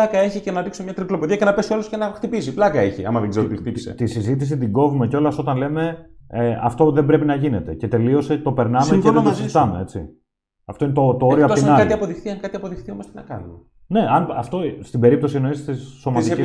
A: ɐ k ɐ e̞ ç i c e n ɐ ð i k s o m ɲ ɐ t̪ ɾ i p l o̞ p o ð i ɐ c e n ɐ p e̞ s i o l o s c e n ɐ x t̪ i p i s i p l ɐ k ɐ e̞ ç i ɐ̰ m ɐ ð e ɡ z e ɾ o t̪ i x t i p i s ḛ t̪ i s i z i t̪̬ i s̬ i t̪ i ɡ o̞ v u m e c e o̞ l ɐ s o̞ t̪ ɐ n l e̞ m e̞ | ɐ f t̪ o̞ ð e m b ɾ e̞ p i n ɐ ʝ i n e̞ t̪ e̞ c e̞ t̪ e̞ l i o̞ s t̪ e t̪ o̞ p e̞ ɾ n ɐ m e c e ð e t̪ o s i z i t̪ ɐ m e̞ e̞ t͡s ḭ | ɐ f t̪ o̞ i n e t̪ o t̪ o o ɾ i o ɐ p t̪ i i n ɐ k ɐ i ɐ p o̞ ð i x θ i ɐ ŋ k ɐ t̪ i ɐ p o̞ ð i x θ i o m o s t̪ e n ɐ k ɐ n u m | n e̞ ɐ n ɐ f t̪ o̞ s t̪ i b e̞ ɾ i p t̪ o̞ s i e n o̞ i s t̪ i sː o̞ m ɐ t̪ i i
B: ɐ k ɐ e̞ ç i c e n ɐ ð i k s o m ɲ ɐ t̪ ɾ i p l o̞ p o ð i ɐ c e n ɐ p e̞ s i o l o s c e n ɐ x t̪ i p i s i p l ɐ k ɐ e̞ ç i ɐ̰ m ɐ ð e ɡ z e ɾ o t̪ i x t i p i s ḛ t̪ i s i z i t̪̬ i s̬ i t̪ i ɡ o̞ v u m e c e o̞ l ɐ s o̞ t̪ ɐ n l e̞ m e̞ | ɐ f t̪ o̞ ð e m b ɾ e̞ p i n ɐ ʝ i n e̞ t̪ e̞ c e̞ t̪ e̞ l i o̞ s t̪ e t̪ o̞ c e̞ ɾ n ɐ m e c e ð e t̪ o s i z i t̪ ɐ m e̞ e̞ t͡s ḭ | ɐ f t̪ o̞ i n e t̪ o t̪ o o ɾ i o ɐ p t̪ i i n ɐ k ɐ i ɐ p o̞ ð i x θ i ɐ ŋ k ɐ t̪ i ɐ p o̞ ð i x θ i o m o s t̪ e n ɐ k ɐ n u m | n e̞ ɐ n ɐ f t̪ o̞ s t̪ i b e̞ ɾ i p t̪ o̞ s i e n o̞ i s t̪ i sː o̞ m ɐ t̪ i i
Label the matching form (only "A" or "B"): A